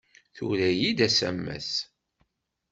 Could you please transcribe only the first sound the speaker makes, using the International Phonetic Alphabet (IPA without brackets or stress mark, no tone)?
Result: θ